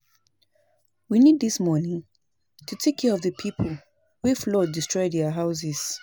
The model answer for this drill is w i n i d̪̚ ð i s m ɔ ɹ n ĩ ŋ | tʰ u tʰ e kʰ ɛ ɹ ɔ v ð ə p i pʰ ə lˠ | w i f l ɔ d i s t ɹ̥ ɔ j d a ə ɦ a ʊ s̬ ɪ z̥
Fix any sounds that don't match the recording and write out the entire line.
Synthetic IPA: w i n i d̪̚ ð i s m ɔ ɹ n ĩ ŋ | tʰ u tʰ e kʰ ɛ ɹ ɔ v ð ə pʰ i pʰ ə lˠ | w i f l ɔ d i s t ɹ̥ ɔ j d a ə ɦ a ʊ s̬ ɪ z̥